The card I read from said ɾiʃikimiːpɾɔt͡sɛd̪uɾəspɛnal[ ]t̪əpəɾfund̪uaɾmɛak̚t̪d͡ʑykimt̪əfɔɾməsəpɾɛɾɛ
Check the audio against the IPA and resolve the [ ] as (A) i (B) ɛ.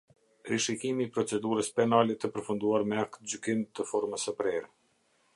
B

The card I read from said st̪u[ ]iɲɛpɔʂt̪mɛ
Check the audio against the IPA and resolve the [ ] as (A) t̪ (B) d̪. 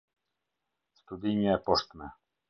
B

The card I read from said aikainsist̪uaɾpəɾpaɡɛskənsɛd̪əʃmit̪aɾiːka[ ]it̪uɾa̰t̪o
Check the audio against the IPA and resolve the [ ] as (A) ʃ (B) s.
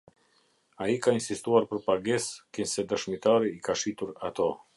A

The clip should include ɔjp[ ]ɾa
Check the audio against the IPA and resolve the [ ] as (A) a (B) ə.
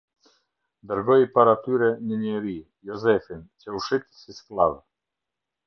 A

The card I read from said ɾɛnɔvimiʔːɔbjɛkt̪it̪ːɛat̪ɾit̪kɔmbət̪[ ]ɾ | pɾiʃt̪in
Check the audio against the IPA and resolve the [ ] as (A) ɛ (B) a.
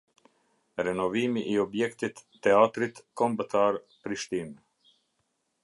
B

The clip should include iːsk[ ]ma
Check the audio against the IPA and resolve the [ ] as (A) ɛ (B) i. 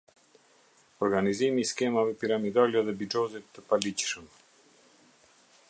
A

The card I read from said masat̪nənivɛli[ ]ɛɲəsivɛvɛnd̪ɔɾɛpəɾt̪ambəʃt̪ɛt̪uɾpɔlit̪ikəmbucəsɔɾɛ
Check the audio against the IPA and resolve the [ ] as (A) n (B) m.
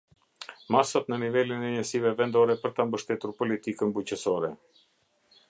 A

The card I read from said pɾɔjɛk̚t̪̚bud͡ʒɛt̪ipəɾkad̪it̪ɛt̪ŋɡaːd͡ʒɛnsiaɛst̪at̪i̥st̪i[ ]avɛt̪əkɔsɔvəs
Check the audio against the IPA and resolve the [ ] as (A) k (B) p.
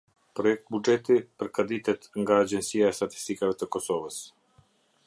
A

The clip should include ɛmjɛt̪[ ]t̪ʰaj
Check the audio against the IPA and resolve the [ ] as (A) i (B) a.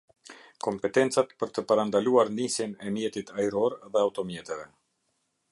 A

